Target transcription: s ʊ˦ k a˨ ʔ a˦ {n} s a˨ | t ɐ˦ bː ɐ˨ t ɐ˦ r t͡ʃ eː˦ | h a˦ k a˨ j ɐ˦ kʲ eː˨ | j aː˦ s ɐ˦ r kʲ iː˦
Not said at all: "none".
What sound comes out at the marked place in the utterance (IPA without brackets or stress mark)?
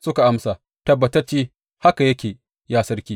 m